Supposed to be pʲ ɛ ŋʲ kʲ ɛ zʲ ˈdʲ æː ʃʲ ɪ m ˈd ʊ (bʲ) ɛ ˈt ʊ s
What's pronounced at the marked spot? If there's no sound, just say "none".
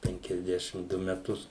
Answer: mʲ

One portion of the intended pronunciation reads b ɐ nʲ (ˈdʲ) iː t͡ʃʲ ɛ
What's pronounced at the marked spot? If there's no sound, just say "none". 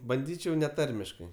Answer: dʲ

